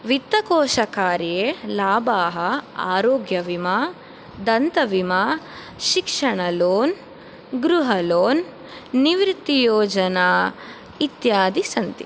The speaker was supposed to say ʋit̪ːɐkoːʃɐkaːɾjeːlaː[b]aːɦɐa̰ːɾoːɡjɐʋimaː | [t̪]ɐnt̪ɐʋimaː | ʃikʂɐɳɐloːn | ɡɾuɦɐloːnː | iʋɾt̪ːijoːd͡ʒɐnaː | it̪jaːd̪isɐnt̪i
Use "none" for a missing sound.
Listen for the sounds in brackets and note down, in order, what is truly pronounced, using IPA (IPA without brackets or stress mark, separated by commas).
b, d̪